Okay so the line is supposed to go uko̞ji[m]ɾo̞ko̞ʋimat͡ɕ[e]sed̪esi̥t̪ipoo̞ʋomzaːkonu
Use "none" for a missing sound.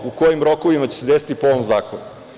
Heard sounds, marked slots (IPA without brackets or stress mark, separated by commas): m, e